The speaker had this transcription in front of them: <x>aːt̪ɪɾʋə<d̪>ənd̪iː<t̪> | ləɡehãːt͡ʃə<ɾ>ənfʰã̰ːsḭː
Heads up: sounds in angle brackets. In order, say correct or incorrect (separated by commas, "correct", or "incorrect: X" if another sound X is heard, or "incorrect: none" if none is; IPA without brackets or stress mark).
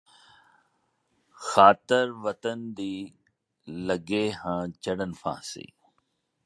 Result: correct, incorrect: t̪, incorrect: none, incorrect: ɽ